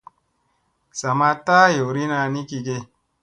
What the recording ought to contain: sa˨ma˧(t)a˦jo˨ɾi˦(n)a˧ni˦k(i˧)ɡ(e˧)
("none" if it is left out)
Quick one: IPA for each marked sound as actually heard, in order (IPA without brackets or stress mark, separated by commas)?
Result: t, n, i˧, e˧